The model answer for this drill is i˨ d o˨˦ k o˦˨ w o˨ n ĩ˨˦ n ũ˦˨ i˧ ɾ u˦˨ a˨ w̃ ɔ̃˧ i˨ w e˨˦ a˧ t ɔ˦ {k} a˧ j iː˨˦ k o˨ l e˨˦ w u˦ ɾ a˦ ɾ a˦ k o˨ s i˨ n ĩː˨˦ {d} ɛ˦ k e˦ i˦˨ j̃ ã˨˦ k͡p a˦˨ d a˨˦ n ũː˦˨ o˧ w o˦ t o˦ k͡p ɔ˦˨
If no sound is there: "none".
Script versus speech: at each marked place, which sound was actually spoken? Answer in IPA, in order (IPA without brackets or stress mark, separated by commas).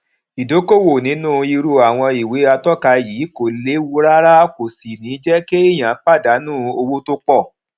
k, d͡ʒ